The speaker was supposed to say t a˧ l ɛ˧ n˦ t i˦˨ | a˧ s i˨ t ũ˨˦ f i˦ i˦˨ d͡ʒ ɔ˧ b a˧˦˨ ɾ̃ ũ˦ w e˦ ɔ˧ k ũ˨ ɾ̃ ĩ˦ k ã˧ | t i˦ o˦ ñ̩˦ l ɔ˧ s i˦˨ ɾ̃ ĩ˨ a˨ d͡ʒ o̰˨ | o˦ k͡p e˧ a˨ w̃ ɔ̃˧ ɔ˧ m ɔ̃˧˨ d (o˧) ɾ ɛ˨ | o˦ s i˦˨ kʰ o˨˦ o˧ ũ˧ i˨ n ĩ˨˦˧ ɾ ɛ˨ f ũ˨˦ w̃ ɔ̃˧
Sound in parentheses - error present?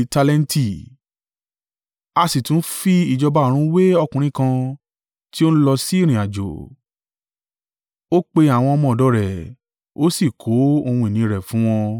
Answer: yes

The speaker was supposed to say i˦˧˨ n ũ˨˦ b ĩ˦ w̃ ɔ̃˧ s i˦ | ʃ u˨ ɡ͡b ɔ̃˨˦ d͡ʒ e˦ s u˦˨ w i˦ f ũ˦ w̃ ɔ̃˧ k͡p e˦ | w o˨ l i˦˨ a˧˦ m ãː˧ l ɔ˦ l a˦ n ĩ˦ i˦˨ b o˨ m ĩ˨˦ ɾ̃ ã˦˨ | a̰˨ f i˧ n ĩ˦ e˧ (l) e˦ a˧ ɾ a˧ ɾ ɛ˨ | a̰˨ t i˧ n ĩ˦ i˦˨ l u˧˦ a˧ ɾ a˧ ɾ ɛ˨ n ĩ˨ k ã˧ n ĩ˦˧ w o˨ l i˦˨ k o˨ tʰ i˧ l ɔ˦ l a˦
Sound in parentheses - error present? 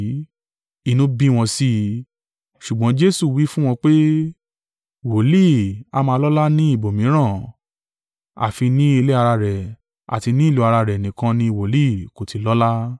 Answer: no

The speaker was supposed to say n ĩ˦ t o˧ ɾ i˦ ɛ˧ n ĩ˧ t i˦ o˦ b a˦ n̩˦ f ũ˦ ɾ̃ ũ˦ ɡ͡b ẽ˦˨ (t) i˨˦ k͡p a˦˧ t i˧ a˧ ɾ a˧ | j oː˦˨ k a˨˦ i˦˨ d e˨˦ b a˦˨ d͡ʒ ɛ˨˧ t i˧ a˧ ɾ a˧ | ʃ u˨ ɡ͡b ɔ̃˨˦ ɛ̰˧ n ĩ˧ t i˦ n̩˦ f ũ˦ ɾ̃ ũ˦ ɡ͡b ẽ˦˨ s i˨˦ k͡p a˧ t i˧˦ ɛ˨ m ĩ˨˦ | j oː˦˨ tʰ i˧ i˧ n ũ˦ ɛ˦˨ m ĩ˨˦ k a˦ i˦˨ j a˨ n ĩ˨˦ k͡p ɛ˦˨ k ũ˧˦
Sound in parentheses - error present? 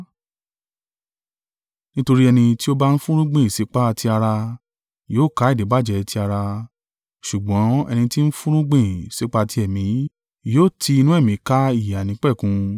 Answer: yes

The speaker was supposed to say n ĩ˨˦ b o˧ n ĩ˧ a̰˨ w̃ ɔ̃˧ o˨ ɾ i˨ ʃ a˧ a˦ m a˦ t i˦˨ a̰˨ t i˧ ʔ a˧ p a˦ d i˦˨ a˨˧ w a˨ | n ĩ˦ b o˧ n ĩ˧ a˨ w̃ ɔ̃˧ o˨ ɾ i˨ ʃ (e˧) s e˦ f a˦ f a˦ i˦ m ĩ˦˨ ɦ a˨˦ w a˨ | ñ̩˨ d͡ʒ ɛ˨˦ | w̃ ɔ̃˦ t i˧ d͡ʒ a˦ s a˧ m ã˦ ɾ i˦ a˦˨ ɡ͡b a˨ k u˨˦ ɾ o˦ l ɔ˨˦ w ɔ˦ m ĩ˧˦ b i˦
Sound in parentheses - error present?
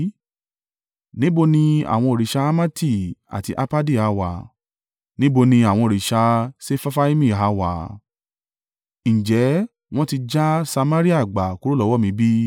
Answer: yes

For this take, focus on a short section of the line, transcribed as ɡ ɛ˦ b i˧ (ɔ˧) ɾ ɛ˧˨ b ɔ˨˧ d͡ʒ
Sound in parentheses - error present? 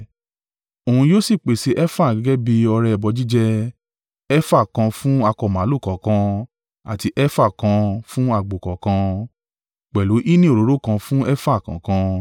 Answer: no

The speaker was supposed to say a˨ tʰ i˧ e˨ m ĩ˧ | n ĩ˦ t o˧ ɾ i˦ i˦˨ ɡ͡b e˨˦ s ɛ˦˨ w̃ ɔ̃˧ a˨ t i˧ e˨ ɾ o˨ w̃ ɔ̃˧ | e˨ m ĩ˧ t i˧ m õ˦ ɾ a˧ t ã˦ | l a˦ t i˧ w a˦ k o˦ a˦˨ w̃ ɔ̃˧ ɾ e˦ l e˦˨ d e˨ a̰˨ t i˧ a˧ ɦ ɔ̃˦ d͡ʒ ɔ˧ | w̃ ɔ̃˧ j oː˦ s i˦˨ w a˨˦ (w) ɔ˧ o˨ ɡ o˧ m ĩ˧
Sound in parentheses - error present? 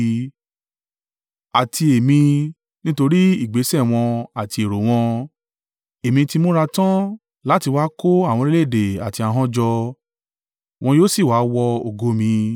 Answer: no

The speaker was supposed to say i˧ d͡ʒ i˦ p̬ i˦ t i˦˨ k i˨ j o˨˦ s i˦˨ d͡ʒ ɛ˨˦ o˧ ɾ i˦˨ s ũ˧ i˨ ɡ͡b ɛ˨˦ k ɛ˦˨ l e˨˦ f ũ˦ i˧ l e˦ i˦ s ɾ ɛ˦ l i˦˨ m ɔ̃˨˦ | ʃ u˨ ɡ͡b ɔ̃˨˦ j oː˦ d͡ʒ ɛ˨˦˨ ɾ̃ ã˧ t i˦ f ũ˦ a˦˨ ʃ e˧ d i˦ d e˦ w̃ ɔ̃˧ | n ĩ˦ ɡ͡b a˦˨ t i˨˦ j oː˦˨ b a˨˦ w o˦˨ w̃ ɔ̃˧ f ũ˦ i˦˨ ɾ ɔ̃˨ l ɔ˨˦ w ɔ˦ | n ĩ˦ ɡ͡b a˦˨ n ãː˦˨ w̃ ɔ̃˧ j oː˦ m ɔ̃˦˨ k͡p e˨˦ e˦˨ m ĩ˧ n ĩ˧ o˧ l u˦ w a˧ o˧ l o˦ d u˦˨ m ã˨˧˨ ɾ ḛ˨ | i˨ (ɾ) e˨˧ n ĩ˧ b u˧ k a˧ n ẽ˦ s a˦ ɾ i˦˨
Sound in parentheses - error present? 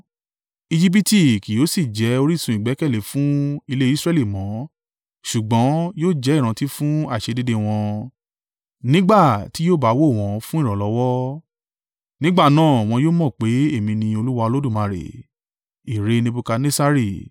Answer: no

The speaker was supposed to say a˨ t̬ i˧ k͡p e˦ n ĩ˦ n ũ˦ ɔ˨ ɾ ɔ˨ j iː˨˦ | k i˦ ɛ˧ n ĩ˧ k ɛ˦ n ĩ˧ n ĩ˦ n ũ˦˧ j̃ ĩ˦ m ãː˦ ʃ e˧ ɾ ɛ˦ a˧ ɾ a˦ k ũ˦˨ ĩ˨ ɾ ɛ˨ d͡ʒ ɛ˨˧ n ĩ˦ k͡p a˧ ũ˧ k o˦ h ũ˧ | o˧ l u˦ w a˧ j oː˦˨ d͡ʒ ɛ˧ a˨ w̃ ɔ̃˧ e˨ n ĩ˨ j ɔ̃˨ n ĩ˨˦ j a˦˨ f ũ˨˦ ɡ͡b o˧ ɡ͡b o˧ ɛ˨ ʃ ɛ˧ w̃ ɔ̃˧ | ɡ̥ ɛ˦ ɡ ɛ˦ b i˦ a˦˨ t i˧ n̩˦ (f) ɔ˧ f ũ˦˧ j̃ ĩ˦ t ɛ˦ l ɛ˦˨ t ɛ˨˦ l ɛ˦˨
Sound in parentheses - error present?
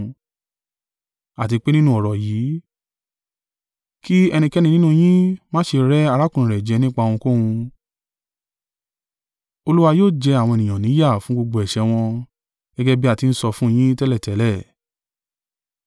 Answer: yes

